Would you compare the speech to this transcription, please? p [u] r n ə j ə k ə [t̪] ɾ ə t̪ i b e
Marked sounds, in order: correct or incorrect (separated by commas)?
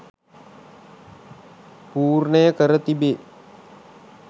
incorrect, incorrect